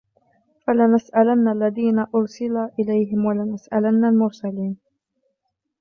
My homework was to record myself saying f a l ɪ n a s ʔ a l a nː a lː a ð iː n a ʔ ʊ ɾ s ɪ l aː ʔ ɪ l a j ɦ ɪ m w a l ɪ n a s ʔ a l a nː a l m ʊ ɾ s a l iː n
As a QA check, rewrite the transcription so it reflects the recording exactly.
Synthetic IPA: f a l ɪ n a s ʔ a l a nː a lː a ð iː n a ʔ ʊ ɾ s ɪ l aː ʔ ɪ l a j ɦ ɪ m w a l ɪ n a s ʔ a l a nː a l m ʊ ɾ s a l iː n